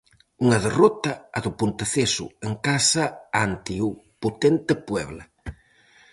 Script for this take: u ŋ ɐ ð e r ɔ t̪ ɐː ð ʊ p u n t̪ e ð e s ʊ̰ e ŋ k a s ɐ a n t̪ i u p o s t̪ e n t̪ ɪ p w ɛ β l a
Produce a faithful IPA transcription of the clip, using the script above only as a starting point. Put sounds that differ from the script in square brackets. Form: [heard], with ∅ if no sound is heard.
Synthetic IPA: u ŋ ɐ ð e r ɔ t̪ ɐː ð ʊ p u n t̪ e [θ] e s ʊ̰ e ŋ k a s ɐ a n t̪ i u p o [∅] t̪ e n t̪ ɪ p w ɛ β l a